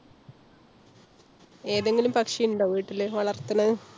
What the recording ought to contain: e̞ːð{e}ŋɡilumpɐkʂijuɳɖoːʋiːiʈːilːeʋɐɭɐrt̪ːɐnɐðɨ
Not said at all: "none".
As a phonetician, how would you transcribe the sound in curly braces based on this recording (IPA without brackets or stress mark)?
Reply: e